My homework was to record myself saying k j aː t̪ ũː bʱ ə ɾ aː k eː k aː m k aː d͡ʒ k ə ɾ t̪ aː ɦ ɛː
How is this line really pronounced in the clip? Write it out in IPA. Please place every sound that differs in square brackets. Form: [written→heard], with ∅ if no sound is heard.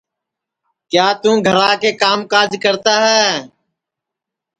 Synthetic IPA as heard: k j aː t̪ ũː [bʱ→ɡʱ] ə ɾ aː k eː k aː m k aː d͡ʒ k ə ɾ t̪ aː ɦ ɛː